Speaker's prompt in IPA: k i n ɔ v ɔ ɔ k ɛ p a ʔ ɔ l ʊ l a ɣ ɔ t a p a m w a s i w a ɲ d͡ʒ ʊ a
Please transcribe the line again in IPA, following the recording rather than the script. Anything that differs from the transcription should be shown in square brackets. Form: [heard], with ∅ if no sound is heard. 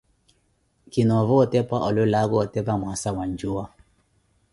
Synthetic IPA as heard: k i n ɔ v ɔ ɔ [t] ɛ p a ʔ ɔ l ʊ l a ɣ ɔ t [ɛ] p a m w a s [a] w a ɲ d͡ʒ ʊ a